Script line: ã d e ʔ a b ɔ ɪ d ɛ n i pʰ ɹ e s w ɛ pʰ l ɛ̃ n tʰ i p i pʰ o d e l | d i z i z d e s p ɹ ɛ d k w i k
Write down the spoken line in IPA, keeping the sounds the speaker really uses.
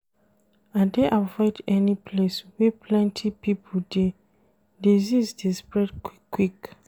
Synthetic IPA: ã d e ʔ a v ɔ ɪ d ɛ n i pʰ l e s w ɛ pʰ l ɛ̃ n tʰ i p i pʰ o d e | d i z i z d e s p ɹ ɛ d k w i k